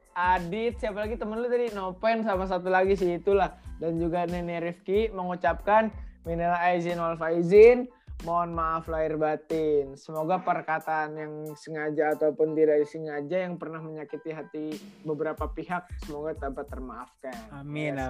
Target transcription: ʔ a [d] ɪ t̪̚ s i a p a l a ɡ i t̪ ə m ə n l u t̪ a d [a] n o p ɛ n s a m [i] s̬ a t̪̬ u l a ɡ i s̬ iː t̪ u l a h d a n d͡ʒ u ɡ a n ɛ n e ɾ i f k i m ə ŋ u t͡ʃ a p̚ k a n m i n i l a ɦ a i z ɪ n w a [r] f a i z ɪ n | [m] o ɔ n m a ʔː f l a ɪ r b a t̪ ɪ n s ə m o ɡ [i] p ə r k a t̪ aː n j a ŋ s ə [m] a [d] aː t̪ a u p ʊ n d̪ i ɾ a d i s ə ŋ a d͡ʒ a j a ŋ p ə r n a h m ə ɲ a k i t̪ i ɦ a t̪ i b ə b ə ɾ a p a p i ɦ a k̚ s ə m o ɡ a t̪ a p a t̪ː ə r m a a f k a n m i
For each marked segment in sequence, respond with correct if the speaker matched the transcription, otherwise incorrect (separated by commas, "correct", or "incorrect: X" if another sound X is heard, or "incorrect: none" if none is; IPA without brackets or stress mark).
correct, incorrect: i, incorrect: a, incorrect: l, correct, incorrect: a, incorrect: ŋ, incorrect: d͡ʒ